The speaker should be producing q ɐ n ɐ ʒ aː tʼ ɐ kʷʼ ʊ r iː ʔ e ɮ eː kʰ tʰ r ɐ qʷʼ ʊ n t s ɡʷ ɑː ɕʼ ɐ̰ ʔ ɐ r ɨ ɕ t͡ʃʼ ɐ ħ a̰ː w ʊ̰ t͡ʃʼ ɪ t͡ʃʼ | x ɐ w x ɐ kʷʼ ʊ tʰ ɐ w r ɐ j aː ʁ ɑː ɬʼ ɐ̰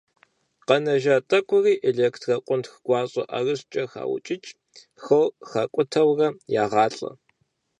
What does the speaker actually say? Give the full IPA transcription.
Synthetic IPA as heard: q ɐ n ɐ ʒ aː tʼ ɐ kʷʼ ʊ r iː ʔ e ɮ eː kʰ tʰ r ɐ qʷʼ ʊ n t x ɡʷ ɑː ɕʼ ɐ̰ ʔ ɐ r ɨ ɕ t͡ʃʼ ɐ x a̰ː w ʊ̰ t͡ʃʼ ɪ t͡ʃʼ | x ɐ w x ɐ kʷʼ ʊ tʰ ɐ w r ɐ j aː ʁ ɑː ɬʼ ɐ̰

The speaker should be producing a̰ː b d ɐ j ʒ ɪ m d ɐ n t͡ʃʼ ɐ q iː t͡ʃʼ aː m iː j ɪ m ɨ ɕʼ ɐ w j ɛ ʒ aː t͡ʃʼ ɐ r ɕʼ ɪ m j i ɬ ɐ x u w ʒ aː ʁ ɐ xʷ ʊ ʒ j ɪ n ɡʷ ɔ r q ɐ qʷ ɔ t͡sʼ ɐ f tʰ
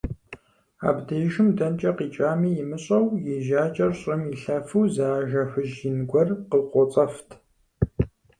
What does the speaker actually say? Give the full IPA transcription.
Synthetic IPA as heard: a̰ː b d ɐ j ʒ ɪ m d ɐ n t͡ʃʼ ɐ q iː t͡ʃʼ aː m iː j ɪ m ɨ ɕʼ ɐ w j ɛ ʒ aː t͡ʃʼ ɐ r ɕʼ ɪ m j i ɬ ɐ f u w z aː ʒ ɐ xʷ ʊ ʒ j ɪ n ɡʷ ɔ r q ə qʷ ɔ t͡sʼ ɐ f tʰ

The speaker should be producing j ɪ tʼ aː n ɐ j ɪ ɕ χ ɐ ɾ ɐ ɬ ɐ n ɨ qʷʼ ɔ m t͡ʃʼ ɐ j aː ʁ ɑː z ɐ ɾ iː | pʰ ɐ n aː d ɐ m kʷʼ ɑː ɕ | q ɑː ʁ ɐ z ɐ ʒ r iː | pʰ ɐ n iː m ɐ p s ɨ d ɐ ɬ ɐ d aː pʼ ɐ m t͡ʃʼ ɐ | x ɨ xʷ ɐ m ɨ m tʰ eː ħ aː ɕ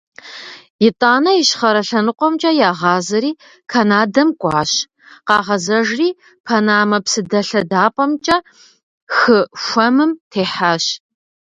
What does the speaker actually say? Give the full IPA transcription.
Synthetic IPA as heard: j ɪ tʼ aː n ɐ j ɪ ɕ χ ɐ ɾ ɐ ɬ ɐ n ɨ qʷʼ ɔ m t͡ʃʼ ɐ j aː ʁ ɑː z ɐ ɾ iː | kʰ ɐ n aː d ɐ m kʷʼ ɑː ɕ | q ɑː ʁ ɐ z ɐ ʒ r iː | pʰ ɐ n aː m ɐ p s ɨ d ɐ ɬ ɐ d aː pʼ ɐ m t͡ʃʼ ɐ | x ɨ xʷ ɐ m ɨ m tʰ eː ħ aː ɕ

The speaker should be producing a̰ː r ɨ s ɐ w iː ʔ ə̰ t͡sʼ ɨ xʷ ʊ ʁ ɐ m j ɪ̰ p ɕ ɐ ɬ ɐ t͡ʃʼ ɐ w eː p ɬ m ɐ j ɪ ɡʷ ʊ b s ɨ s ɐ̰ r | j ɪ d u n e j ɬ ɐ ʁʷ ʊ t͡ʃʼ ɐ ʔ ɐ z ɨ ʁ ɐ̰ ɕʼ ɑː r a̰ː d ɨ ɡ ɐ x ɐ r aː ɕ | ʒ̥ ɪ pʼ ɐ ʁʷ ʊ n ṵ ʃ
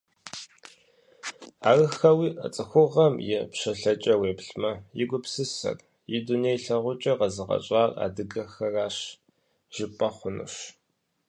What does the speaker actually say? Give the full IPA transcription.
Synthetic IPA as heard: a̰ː r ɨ x ɐ w iː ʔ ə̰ t͡sʼ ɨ xʷ ʊ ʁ ɐ m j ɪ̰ p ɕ ɐ ɬ ɐ t͡ʃʼ ɐ w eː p ɬ m ɐ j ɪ ɡʷ ʊ p s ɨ s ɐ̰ r | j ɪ d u n e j ɬ ɐ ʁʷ ʊ t͡ʃʼ ɐ q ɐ z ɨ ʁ ɐ̰ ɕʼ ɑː r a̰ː d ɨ ɡ ɐ x ɐ r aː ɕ | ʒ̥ ɪ pʼ ɐ χʷ ʊ n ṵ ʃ

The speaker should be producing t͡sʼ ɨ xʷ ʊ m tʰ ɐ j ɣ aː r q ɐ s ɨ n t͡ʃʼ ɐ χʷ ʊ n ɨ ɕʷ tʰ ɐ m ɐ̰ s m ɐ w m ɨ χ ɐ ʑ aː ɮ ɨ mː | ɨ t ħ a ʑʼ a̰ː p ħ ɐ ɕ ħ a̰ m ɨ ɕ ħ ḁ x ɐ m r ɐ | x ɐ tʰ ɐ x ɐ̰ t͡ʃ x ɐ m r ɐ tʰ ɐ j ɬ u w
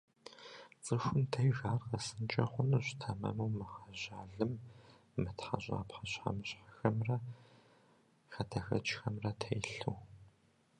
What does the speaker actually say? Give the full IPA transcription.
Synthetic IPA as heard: t͡sʼ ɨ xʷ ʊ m tʰ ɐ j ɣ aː r q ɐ s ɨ n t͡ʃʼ ɐ χʷ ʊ n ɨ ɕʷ tʰ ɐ m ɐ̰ m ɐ w m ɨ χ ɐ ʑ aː ɮ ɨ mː | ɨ t ħ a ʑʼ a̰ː p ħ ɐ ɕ ħ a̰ m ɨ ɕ ħ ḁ x ɐ m r ɐ | x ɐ tʰ ɐ x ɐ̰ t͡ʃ x ɐ m r ɐ tʰ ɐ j ɬ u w

